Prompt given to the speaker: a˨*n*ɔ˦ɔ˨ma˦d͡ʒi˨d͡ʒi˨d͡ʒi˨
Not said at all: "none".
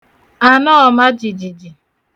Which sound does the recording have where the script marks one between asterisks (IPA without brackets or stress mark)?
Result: n